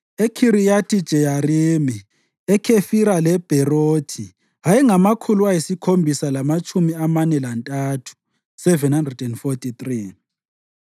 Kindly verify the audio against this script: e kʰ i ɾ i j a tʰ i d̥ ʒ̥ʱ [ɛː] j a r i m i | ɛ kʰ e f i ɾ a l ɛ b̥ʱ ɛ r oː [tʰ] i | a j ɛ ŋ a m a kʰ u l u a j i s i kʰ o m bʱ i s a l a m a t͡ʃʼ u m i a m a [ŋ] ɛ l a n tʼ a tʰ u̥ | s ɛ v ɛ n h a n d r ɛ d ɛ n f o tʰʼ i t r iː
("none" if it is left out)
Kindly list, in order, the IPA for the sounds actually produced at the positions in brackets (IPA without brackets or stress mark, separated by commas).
ɛ, tʰ, n